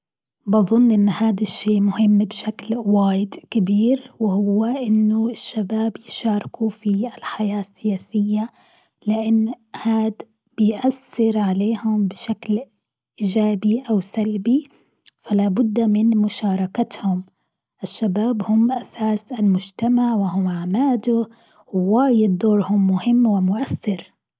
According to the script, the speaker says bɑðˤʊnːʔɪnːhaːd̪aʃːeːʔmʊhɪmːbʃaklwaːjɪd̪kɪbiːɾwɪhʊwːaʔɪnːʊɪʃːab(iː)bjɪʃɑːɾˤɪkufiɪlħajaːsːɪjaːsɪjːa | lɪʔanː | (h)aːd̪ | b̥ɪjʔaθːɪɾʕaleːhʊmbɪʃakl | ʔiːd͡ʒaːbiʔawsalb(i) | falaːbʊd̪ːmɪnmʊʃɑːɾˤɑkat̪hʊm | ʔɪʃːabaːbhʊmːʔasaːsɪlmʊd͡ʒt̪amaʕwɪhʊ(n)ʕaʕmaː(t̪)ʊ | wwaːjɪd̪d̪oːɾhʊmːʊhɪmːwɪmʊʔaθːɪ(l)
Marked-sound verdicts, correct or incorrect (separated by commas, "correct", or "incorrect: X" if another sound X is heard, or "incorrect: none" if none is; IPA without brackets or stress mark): incorrect: aː, correct, correct, incorrect: m, incorrect: d̪, incorrect: ɾ